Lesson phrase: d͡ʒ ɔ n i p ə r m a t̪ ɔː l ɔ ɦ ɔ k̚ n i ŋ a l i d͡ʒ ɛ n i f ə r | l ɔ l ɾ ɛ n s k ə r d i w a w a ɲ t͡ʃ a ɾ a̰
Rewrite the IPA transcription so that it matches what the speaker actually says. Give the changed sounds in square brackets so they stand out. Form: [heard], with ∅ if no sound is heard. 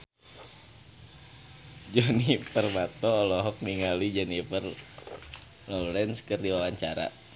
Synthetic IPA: d͡ʒ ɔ n i p ə r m a t̪ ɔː l ɔ ɦ ɔ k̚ n i ŋ a l i d͡ʒ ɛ n i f ə r | l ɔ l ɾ ɛ n s k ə r d i w a w a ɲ t͡ʃ a ɾ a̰